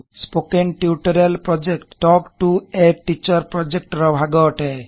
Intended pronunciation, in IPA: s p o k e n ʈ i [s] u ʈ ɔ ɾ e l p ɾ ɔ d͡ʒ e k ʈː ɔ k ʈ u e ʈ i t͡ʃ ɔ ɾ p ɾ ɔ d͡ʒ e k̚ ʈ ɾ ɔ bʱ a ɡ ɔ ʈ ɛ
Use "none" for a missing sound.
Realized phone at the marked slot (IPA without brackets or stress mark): none